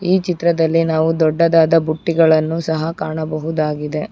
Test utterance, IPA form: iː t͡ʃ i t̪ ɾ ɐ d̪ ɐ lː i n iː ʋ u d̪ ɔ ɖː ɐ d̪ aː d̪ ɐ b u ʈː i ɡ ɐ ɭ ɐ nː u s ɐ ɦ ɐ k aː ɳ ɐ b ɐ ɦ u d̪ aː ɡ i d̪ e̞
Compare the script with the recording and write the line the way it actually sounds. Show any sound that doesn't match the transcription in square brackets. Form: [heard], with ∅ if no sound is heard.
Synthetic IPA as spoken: iː t͡ʃ i t̪ ɾ ɐ d̪ ɐ lː i n [aː] ʋ u d̪ ɔ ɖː ɐ d̪ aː d̪ ɐ b u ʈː i ɡ ɐ ɭ ɐ nː u s ɐ ɦ ɐ k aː ɳ ɐ b ɐ ɦ u d̪ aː ɡ i d̪ e̞